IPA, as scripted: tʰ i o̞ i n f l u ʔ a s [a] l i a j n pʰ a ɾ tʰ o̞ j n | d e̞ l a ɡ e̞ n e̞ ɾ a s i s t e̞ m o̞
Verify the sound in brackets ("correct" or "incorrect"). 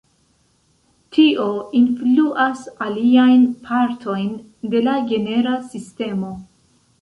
correct